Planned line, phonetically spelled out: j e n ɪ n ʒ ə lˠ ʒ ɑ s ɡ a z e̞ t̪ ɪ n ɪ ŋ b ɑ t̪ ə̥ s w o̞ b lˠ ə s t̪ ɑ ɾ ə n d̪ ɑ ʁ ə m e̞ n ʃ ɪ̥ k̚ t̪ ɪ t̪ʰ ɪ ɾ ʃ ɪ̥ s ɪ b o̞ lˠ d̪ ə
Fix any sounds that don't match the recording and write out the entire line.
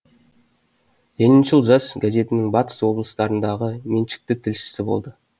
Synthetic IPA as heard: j e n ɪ n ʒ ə lˠ ʒ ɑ s ɡ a z e̞ t̪ ɪ n ɪ ŋ b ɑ t̪ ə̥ s w o̞ b lˠ ə s t̪ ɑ ɾ ə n d̪ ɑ ʁ ə m e̞ n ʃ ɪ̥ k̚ t̪ ɪ t̪ʰ ɪ l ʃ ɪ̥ s ɪ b o̞ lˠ d̪ ə